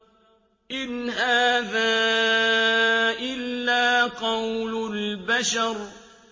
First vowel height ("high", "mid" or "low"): high